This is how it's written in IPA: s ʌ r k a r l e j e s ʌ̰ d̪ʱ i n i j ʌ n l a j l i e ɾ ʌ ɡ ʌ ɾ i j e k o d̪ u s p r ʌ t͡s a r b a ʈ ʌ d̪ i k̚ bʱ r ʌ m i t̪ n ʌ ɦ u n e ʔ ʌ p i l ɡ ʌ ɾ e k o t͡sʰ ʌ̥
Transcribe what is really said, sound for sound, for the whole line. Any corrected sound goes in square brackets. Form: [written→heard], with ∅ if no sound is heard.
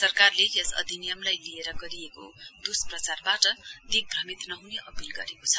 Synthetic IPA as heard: s ʌ r k a r l e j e s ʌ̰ d̪ʱ i n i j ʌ [n→m] l a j l i e ɾ ʌ ɡ ʌ ɾ i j e k o d̪ u s p r ʌ t͡s a r b a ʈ ʌ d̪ i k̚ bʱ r ʌ m i t̪ n ʌ ɦ u n e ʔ ʌ p i l ɡ ʌ ɾ e k o t͡sʰ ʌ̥